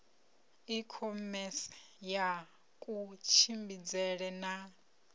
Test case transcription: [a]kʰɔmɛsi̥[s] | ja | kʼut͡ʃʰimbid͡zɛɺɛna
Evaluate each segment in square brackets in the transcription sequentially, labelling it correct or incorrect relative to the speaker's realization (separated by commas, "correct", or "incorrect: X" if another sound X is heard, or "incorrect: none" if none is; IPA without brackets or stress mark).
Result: incorrect: i, incorrect: none